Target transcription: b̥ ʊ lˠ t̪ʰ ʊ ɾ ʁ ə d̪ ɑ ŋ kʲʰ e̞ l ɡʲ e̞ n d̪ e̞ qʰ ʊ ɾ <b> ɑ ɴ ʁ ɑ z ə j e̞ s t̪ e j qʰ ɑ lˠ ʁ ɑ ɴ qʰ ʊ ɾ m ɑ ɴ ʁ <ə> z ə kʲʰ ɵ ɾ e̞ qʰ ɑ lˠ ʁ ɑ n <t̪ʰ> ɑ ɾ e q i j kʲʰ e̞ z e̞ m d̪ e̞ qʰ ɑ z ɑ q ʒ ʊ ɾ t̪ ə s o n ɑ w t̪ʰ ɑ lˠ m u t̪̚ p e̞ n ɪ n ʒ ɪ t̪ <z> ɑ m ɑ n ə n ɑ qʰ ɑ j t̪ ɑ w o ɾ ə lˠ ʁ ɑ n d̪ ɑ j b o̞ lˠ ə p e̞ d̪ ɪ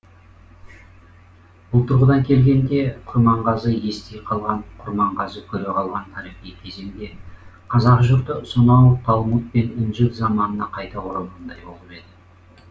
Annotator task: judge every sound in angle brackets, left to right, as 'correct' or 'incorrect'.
incorrect: m, incorrect: ɑ, correct, correct

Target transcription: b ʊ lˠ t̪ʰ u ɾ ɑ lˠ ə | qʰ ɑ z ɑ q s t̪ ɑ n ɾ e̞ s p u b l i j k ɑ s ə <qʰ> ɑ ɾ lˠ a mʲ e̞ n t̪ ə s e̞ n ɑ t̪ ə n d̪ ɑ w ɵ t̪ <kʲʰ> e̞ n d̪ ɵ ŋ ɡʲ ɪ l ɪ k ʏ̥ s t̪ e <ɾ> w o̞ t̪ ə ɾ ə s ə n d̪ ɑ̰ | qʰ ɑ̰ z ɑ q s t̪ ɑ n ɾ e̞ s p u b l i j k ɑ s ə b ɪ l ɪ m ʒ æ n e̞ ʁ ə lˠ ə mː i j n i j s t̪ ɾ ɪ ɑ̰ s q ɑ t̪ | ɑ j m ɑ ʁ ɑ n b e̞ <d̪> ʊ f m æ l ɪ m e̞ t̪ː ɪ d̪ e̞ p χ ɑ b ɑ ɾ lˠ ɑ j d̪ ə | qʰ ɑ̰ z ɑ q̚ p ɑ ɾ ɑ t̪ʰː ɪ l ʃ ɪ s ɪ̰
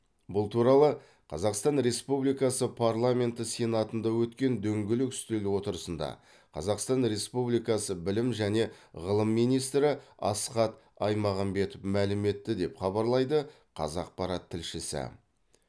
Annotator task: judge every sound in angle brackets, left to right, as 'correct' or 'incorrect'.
incorrect: pʰ, incorrect: kʲ, incorrect: l, incorrect: t̪

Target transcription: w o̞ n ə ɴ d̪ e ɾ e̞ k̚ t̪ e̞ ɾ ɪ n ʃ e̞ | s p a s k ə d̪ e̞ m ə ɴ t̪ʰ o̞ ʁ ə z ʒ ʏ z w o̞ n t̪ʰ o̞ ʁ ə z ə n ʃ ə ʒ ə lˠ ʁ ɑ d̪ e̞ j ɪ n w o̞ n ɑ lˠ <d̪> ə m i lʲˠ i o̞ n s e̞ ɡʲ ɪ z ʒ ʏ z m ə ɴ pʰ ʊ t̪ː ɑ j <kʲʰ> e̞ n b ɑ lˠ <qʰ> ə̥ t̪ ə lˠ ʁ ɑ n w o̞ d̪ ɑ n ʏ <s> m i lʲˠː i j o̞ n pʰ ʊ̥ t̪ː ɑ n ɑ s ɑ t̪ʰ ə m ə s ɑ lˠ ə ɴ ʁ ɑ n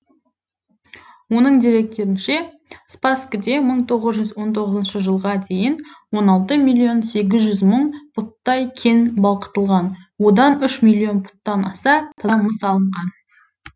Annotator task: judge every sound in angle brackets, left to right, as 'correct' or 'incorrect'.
incorrect: t̪, correct, incorrect: q, incorrect: ʃ

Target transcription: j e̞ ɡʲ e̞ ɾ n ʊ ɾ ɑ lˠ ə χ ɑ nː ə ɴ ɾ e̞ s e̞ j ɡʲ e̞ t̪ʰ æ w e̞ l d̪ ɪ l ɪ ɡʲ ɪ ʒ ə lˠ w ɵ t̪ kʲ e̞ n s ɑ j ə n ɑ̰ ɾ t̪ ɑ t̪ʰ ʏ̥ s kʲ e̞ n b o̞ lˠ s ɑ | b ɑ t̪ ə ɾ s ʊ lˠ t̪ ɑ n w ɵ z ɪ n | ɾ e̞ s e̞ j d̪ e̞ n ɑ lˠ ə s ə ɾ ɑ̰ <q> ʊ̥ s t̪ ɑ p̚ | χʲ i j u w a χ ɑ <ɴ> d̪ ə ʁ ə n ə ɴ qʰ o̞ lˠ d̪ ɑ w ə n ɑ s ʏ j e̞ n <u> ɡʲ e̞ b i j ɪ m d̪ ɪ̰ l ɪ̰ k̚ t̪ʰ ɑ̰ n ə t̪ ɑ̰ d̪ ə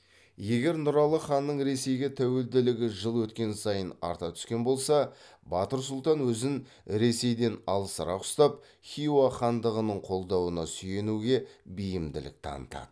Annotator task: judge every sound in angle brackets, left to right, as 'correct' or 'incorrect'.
correct, incorrect: n, correct

